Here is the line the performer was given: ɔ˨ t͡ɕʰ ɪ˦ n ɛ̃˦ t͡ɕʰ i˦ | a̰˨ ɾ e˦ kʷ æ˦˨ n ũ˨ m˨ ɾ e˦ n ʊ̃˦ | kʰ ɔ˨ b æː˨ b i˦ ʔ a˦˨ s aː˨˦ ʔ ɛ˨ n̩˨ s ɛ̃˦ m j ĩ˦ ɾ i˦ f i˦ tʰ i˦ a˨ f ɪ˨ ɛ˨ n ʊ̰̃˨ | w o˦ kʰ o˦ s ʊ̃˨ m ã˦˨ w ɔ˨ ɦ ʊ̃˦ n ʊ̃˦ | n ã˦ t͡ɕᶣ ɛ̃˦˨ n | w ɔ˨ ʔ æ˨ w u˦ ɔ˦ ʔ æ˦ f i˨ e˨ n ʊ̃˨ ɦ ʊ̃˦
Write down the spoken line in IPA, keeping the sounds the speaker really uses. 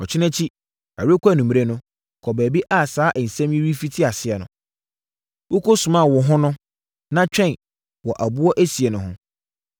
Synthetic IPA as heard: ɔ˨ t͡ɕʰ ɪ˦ n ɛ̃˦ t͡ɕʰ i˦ | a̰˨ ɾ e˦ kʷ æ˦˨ n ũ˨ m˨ ɾ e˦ n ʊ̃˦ | kʰ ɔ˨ b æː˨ b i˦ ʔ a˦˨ s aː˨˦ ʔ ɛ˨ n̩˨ s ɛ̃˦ m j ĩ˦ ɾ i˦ f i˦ tʰ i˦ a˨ s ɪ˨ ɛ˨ n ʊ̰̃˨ | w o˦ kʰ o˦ s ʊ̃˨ m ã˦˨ w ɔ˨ ɦ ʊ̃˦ n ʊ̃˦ | n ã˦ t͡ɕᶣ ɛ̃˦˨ n | w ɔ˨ ʔ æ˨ b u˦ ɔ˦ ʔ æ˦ s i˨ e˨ n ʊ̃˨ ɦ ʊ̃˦